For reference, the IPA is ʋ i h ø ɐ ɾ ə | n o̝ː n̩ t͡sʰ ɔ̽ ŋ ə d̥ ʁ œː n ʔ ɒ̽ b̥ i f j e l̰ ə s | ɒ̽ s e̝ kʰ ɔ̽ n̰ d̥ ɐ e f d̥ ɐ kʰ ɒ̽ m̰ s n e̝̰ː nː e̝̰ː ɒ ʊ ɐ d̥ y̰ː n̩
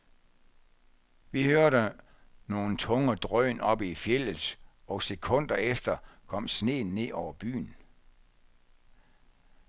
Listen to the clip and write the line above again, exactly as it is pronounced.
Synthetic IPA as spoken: ʋ i h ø ɐ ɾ ə | n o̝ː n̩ t͡sʰ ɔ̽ ŋ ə d̥ ʁ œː n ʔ ɒ̽ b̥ i f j e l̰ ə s | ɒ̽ s e̝ kʰ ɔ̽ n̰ d̥ ɐ e f d̥ ɐ kʰ ɒ̽ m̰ s n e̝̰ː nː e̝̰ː ɒ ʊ ɐ b̥ y̰ː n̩